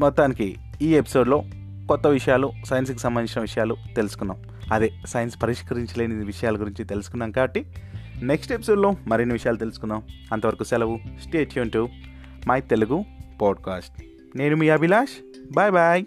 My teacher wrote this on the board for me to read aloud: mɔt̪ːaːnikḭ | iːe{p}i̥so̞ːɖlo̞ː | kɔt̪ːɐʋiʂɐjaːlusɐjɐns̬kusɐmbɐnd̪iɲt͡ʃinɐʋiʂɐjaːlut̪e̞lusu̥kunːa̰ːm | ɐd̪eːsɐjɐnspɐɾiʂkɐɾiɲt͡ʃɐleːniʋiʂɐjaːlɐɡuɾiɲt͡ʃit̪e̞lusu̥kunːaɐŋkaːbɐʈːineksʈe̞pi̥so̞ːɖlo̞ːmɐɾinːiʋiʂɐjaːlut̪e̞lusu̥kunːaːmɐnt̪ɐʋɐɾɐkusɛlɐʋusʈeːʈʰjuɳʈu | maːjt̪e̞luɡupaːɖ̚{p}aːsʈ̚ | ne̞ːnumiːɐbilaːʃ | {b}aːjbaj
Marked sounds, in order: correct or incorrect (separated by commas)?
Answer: correct, incorrect, correct